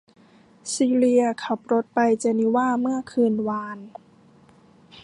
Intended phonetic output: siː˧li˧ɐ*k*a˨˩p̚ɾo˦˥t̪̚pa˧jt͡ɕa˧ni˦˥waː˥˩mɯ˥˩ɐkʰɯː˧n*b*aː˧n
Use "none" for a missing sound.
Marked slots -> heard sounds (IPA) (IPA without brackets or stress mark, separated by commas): kʰ, w